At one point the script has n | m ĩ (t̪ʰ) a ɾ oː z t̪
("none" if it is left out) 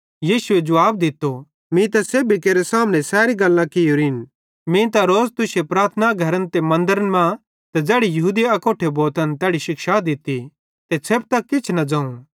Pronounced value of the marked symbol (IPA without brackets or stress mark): t̪